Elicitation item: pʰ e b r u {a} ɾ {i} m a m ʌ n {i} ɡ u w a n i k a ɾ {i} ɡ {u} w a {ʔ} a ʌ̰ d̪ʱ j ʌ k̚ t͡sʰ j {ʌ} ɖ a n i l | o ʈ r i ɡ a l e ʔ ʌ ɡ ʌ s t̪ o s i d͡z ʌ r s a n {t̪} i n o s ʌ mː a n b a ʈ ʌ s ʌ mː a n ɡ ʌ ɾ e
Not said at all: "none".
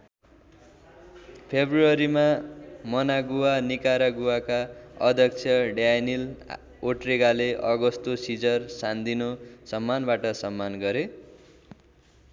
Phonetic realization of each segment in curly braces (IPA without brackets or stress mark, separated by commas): ʌ, i, a, a, u, k, ʌ, d̪